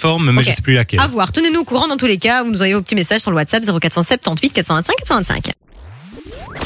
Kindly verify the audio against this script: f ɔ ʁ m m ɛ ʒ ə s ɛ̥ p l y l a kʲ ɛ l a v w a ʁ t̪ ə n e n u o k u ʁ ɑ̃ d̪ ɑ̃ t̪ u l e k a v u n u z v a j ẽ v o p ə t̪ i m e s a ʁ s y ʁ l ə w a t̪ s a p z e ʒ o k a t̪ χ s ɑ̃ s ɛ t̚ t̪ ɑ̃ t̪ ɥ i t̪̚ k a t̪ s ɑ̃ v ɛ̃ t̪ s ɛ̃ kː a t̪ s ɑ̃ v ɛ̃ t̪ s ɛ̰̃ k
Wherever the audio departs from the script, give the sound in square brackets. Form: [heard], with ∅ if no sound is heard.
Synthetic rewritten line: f ɔ ʁ m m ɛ ʒ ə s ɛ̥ p l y l a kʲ ɛ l a v w a ʁ t̪ ə n e n u o k u ʁ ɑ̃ d̪ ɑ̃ t̪ u l e k a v u n u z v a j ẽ v o p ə t̪ i m e s a [ʒ] s y ʁ l ə w a t̪ s a p z e [ʁ] o k a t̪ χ s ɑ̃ s ɛ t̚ t̪ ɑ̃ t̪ ɥ i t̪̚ k a t̪ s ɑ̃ v ɛ̃ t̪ s ɛ̃ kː a t̪ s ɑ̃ v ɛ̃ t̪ s ɛ̰̃ k